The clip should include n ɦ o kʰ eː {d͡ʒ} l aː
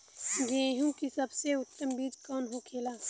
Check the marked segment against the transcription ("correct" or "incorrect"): incorrect